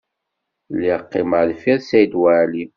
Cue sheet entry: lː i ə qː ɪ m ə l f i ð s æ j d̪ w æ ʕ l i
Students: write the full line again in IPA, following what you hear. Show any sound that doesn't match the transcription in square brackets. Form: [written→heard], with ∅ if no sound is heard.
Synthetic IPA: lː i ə qː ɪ m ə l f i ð s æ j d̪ w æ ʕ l i